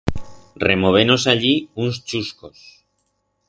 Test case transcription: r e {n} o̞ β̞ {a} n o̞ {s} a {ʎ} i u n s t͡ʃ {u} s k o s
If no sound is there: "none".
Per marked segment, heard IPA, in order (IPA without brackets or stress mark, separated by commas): m, e, s, ʎ, u